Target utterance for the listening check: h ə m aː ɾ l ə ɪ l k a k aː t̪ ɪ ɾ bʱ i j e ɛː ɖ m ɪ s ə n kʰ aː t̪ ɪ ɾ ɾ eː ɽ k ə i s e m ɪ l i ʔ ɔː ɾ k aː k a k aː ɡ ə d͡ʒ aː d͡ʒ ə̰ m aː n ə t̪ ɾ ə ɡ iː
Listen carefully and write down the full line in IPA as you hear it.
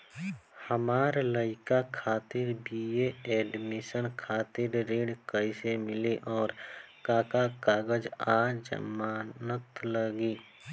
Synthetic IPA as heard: h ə m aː ɾ l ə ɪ k a kʰ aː t̪ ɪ ɾ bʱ i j e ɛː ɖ m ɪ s ə n kʰ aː t̪ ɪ ɾ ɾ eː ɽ k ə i s e m ɪ l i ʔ ɔː ɾ k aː k a k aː ɡ ə d͡ʒ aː d͡ʒ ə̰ m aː n ə t̪ l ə ɡ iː